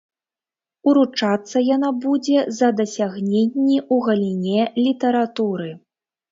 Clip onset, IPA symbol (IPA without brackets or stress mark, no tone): u